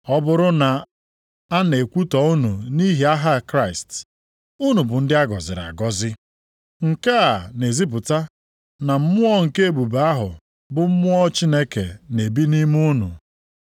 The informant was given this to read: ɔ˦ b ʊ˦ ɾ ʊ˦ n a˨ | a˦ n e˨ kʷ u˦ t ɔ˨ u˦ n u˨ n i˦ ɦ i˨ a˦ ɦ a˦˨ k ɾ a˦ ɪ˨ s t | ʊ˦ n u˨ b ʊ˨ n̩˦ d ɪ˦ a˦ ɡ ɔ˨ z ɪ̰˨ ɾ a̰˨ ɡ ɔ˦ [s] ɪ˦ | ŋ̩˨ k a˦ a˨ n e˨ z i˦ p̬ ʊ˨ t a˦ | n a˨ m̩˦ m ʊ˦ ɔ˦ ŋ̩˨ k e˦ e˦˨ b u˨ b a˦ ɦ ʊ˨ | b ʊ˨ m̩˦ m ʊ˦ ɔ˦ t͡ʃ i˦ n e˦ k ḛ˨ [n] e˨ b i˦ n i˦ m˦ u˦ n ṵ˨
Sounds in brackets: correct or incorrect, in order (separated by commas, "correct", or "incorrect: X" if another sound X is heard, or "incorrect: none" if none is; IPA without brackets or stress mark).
incorrect: z, correct